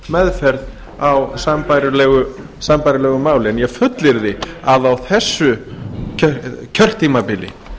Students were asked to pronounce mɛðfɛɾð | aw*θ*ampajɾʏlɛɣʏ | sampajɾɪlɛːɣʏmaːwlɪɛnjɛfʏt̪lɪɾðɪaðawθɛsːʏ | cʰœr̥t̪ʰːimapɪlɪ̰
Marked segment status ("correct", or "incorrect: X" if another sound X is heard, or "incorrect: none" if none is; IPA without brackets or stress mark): incorrect: s